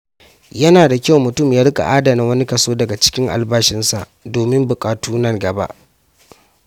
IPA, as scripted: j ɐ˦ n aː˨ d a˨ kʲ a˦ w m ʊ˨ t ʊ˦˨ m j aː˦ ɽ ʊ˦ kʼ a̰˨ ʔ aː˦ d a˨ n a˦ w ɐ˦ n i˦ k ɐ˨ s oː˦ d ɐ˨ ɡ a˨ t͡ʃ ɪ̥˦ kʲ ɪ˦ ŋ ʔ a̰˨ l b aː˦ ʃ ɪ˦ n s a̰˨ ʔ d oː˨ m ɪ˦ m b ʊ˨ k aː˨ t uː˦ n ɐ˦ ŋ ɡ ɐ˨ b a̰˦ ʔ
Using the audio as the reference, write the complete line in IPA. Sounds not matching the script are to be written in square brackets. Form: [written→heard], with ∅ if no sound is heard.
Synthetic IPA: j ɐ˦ n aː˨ d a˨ kʲ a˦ w m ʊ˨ t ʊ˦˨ m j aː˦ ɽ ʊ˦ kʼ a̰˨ ʔ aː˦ d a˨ n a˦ w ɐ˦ n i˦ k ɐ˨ s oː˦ d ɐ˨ ɡ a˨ t͡ʃ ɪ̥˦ kʲ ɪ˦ ŋ ʔ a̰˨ l b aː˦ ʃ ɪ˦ n s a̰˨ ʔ d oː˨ m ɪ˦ m b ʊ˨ [k→kʼ] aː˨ t uː˦ n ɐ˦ ŋ ɡ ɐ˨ b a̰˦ ʔ